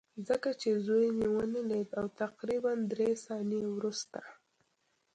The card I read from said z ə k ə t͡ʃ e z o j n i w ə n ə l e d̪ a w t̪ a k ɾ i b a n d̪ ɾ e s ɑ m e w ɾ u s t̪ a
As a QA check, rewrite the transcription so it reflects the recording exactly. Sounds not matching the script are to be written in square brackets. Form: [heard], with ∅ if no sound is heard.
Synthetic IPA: z ə k [a] t͡ʃ e z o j n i w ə n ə l e d̪ a w t̪ a [q] ɾ i b a n d̪ ɾ e s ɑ [n] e w ɾ u s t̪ a